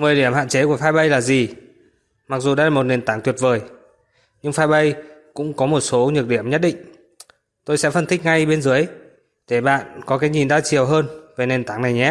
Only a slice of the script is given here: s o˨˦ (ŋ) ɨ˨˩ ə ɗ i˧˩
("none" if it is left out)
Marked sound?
ɲ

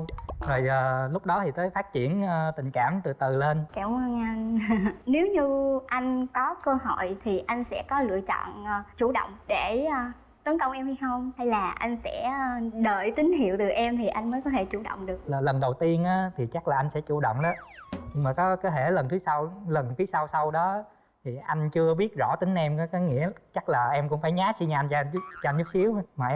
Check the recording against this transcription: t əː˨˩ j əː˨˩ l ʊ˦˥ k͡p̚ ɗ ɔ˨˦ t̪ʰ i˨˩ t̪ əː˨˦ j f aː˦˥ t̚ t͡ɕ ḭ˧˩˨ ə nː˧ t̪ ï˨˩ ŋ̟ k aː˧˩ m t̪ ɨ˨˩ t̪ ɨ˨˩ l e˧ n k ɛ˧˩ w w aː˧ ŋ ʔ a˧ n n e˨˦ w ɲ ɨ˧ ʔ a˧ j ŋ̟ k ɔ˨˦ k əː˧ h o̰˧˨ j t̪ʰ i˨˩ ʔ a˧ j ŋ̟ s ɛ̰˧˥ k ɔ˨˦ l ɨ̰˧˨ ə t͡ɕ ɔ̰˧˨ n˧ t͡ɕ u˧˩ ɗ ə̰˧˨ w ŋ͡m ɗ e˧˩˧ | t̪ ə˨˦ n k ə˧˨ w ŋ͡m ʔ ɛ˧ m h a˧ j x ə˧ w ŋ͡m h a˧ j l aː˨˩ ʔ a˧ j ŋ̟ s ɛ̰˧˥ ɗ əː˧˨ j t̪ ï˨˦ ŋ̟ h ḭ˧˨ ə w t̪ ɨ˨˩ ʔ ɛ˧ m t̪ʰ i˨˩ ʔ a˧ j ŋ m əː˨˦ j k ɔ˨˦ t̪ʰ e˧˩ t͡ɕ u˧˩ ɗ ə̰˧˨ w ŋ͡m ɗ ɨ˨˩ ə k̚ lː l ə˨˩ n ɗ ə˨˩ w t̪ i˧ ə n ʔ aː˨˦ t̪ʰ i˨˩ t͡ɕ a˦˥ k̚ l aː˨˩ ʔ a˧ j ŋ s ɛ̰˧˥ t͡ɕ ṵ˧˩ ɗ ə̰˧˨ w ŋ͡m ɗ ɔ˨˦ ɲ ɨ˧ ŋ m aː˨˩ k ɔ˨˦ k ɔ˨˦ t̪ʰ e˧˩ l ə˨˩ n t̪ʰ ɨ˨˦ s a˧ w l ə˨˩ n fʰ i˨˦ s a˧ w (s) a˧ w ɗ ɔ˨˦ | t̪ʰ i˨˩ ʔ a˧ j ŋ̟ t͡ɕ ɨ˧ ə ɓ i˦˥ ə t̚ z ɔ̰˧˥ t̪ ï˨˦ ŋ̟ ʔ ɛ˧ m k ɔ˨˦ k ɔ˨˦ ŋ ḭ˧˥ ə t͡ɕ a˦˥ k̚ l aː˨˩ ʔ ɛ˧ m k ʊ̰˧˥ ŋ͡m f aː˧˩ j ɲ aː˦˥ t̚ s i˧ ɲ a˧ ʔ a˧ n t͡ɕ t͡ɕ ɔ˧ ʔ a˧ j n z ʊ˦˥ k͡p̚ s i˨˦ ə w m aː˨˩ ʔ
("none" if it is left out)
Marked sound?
s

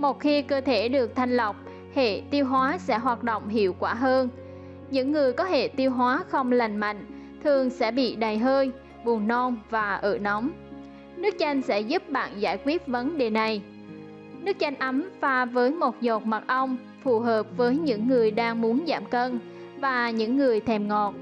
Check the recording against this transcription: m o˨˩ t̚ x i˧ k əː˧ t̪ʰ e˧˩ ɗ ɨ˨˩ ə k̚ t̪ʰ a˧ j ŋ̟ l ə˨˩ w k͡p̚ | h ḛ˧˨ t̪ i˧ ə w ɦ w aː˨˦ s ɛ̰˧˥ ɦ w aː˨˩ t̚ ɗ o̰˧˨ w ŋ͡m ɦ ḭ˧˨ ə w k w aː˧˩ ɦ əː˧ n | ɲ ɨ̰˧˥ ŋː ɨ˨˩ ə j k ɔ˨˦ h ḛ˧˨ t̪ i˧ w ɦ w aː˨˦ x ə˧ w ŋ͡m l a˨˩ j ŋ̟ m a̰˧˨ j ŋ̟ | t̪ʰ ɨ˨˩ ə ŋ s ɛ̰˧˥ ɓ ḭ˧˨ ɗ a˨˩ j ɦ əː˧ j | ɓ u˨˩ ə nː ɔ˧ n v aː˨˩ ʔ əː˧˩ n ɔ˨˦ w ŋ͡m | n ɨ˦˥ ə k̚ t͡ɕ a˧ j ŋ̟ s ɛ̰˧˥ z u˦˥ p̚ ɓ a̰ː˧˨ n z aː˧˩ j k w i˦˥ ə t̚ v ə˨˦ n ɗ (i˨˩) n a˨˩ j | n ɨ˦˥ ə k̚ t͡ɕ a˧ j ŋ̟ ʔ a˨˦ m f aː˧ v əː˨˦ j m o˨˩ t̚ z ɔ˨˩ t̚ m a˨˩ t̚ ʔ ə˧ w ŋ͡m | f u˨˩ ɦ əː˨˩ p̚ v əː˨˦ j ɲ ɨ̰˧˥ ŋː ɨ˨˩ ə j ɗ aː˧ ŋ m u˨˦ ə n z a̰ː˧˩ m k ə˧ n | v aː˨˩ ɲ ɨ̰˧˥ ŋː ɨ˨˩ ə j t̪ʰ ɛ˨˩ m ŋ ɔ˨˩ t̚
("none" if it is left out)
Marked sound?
e˨˩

